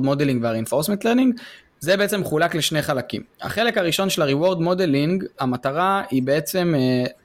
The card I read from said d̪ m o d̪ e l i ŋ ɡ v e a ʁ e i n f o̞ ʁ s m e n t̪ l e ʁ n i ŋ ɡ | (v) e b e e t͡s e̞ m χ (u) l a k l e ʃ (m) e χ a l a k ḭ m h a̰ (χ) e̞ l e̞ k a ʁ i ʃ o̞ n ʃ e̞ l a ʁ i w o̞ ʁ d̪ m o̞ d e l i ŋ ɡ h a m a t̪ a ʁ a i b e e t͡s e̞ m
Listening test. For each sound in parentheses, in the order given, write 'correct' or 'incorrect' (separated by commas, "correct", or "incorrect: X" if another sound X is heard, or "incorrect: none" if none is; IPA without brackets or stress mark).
incorrect: z, correct, incorrect: n, correct